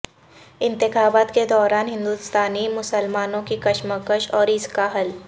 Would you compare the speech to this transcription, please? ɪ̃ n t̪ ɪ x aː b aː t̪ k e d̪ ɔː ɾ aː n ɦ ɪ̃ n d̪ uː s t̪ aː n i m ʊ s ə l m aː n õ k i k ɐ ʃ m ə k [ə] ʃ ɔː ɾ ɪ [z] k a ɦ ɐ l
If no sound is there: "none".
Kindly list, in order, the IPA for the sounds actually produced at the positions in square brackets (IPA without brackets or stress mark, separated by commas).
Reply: ə, s